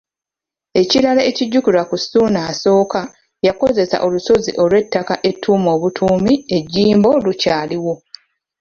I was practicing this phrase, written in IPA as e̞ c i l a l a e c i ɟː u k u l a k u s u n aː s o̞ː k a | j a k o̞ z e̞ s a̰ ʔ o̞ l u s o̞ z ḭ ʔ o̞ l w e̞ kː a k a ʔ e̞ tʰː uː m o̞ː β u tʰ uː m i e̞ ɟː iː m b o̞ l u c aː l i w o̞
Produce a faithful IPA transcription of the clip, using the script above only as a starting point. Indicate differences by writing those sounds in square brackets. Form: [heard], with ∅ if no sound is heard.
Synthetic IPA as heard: e̞ c i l a l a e c i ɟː u k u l a k u s u n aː s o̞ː k a | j a k o̞ z e̞ s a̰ ʔ o̞ l u s o̞ z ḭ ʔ o̞ l w e̞ [tː] a k a ʔ e̞ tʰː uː m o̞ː β u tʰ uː m i e̞ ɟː iː m b o̞ l u c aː l i w o̞